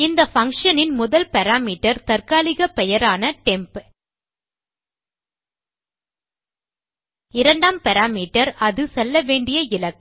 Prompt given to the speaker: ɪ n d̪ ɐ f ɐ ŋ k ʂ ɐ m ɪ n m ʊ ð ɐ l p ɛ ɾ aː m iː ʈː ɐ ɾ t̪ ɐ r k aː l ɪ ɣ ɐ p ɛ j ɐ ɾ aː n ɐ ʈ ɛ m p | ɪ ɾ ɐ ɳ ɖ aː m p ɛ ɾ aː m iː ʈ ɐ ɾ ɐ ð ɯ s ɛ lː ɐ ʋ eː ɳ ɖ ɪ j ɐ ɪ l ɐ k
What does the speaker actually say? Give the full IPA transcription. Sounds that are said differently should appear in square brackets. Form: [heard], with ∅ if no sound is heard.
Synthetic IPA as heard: ɪ n d̪ ɐ f ɐ ŋ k ʂ ɐ [n] ɪ n m ʊ ð ɐ l p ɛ ɾ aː m iː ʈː ɐ ɾ t̪ ɐ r k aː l ɪ ɣ ɐ p ɛ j ɐ ɾ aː n ɐ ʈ ɛ m p | ɪ ɾ ɐ ɳ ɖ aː m p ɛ ɾ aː m iː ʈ ɐ ɾ ɐ ð ɯ s ɛ lː ɐ ʋ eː ɳ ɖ ɪ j ɐ ɪ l ɐ k